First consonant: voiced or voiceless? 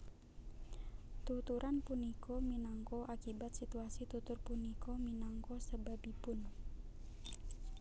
voiceless